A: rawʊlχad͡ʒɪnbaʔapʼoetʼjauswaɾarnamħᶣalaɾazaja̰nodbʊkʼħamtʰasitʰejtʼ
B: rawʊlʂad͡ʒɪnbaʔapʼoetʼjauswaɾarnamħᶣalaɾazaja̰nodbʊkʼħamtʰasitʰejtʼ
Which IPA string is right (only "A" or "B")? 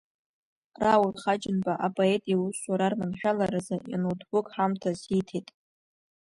A